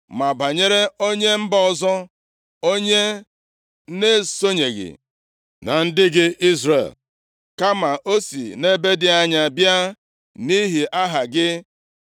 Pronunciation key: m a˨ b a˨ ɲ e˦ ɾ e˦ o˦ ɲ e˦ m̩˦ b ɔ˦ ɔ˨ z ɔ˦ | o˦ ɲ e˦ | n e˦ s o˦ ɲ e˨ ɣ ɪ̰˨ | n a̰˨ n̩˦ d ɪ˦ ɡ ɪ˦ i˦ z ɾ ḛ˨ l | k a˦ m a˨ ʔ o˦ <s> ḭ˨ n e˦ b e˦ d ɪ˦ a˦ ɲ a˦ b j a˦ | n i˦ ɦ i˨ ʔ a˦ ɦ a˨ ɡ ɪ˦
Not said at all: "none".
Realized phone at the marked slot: s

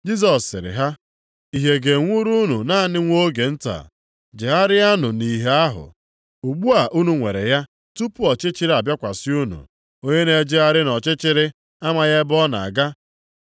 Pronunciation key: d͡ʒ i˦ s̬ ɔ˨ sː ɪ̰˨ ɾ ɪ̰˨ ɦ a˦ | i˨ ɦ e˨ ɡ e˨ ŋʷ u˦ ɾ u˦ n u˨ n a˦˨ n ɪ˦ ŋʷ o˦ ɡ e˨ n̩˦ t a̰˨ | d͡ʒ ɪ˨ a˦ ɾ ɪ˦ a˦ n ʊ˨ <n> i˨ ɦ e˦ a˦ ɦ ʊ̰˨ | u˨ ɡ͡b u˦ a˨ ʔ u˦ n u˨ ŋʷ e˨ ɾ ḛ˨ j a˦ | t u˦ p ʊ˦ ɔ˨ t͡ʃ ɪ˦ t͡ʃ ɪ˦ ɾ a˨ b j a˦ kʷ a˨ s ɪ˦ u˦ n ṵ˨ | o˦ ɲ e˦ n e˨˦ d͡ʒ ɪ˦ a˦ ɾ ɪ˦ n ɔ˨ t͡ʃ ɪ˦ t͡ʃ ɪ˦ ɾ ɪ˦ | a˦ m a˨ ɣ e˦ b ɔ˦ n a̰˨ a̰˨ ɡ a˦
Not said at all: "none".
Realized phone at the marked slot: n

